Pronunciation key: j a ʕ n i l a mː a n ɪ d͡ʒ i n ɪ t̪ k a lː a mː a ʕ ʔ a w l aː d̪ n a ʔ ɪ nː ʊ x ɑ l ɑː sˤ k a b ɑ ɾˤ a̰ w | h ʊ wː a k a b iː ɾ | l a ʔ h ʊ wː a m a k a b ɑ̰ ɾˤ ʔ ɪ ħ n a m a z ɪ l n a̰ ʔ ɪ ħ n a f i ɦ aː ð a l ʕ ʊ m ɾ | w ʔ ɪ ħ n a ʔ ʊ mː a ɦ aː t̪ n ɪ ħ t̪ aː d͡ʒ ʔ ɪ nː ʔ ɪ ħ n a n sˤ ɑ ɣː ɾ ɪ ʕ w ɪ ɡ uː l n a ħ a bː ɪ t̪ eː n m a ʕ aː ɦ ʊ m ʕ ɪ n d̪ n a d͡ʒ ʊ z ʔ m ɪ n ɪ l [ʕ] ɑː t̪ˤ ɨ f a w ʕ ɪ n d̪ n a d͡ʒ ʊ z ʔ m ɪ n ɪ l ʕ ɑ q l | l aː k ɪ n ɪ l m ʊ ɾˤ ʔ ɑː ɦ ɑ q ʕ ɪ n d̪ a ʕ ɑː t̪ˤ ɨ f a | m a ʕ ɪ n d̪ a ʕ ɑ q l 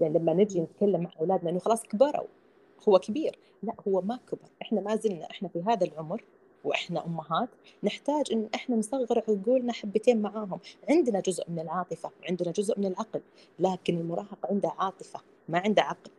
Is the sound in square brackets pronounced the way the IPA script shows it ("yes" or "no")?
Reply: yes